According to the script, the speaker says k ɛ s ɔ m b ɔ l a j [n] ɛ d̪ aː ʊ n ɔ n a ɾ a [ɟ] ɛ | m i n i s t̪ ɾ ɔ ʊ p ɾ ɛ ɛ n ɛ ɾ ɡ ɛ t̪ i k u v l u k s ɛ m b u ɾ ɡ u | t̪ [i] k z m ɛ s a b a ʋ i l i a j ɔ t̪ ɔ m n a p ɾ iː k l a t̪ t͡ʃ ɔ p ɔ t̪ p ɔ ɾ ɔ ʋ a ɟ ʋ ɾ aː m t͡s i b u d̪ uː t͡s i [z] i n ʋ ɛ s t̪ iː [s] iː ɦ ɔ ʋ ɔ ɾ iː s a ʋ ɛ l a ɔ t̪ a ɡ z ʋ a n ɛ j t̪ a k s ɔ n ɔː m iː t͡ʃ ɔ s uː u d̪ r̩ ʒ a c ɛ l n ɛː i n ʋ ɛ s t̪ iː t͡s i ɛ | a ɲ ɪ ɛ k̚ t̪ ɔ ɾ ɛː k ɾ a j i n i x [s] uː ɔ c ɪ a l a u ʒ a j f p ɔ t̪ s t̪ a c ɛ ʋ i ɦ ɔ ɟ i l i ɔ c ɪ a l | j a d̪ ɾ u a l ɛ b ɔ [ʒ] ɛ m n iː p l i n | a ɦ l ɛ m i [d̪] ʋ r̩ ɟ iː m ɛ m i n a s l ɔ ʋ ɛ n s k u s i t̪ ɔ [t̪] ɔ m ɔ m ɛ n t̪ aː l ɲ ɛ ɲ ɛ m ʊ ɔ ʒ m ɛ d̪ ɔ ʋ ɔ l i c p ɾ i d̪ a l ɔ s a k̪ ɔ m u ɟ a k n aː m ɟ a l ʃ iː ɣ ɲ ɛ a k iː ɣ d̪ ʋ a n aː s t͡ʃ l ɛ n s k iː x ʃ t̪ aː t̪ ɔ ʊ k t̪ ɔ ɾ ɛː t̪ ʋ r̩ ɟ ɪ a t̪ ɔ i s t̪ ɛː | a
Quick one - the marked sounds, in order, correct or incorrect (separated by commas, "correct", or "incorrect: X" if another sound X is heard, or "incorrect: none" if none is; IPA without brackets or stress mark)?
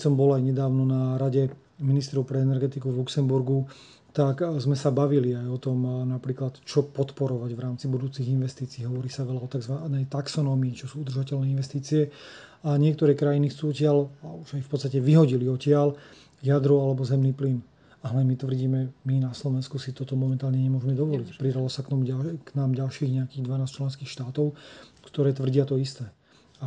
incorrect: ɲ, correct, incorrect: a, incorrect: ɣ, incorrect: t͡s, incorrect: t͡s, incorrect: z, incorrect: t̪, correct